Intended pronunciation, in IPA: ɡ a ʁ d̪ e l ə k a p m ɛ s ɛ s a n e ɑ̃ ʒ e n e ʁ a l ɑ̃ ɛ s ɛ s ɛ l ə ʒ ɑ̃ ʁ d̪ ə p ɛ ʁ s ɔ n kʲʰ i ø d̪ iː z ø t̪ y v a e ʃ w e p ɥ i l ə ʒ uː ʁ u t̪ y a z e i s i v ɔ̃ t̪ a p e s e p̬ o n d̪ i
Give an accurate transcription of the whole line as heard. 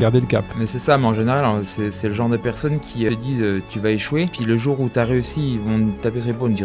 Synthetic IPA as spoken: ɡ a ʁ d̪ e l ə k a p m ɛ s ɛ s a m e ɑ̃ ʒ e n e ʁ a l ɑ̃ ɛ s ɛ s ɛ l ə ʒ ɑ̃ ʁ d̪ ə p ɛ ʁ s ɔ n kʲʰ i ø d̪ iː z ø t̪ y v a e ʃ w e p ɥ i l ə ʒ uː ʁ u t̪ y a ʁ e y s i v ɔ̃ t̪ a p e s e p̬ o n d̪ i